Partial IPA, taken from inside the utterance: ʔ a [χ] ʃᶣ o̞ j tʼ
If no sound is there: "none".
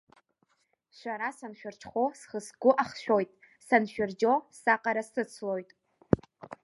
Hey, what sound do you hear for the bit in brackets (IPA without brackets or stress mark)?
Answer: χ